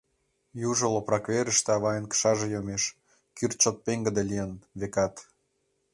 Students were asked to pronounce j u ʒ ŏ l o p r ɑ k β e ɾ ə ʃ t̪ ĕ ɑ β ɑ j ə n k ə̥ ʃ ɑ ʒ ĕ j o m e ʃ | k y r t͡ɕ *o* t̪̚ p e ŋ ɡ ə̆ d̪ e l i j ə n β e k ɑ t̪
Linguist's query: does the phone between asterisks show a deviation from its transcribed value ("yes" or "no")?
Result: no